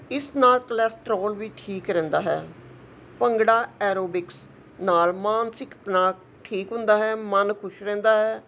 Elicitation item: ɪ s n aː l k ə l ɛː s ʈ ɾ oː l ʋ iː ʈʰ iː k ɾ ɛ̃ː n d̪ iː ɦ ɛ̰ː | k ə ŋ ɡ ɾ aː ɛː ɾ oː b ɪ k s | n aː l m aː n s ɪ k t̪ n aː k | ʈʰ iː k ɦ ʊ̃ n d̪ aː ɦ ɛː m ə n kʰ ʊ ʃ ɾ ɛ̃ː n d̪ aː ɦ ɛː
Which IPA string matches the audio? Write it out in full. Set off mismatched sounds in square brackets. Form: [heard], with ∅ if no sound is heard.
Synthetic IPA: ɪ s n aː l k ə l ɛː s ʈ ɾ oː l ʋ iː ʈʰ iː k ɾ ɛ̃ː n d̪ [aː] ɦ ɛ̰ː | [p] ə ŋ ɡ [ɽ] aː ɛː ɾ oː b ɪ k s | n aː l m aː n s ɪ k t̪ n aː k | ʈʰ iː k ɦ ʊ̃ n d̪ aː ɦ ɛː m ə n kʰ ʊ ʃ ɾ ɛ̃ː n d̪ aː ɦ ɛː